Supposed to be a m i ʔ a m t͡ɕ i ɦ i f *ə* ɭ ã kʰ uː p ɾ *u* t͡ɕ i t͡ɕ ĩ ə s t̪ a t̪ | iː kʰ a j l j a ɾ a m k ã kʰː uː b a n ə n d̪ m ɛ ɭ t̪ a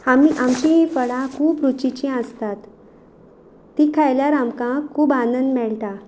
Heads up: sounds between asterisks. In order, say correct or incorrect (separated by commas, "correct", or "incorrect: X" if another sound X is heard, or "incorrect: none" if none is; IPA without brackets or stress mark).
correct, correct